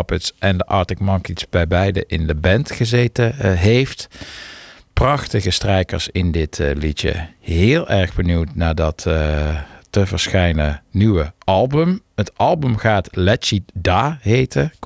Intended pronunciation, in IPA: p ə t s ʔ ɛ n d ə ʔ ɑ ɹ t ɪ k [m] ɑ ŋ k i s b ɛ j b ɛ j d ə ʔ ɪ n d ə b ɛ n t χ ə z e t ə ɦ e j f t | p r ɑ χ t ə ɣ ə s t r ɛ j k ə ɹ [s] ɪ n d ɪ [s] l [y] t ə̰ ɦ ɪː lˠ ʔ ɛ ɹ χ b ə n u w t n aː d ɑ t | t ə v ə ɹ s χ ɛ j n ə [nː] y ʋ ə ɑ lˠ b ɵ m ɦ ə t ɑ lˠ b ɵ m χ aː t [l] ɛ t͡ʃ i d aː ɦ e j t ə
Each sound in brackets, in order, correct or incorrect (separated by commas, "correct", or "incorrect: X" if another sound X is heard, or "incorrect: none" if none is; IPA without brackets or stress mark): correct, correct, incorrect: t, incorrect: i, incorrect: n, correct